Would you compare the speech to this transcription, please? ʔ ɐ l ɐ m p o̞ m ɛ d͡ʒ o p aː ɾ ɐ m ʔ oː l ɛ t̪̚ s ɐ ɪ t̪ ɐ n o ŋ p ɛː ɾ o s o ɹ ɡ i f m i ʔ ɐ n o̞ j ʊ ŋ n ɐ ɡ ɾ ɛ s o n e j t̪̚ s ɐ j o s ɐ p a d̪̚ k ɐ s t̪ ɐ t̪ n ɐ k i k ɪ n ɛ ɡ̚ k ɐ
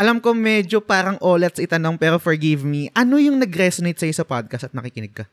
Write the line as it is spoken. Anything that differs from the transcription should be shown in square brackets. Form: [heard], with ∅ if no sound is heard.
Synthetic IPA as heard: ʔ ɐ l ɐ m [k] o̞ m ɛ d͡ʒ o p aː ɾ ɐ [ŋ] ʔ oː l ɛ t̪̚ s ɐ ɪ t̪ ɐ n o ŋ p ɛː ɾ o [f] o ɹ ɡ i [v] m i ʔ ɐ n o̞ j ʊ ŋ n ɐ ɡ ɾ ɛ s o n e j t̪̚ s ɐ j o s ɐ p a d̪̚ k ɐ s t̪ ɐ t̪ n ɐ k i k ɪ n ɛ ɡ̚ k ɐ